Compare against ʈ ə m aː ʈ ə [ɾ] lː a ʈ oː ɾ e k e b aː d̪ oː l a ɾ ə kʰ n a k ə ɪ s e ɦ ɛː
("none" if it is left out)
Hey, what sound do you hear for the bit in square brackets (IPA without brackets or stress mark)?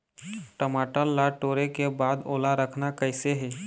none